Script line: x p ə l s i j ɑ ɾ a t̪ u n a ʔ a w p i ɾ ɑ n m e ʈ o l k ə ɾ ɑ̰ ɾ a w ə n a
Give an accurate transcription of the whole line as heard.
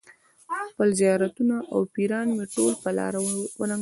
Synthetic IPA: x p ə l z i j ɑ ɾ a t̪ u n a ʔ a w p i ɾ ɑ n m e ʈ o l p ə l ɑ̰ ɾ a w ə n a